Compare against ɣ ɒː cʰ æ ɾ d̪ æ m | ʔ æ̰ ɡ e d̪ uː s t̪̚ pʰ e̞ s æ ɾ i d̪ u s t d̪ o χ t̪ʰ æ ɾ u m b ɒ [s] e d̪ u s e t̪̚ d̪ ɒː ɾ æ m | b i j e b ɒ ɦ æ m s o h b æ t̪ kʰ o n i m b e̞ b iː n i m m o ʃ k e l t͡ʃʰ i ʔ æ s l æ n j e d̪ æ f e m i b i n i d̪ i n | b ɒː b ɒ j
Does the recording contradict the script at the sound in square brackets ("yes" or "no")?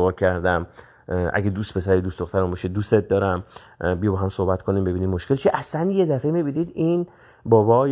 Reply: yes